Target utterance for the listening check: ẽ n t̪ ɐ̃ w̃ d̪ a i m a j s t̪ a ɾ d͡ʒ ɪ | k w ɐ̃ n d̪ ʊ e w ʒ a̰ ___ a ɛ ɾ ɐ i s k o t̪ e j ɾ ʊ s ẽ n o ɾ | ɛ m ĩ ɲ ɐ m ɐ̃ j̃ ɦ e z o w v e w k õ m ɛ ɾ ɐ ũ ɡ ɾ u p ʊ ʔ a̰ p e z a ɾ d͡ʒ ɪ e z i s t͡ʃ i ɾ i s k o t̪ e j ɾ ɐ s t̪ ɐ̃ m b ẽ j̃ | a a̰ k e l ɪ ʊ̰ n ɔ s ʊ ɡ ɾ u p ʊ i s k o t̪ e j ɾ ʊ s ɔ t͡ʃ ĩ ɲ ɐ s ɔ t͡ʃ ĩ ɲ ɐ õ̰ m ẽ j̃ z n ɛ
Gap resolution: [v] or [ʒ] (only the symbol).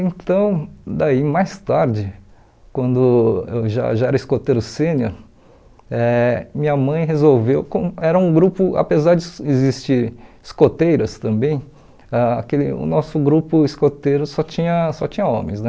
ʒ